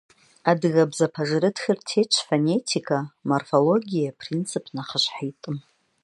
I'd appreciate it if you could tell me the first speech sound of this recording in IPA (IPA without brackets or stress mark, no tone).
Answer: a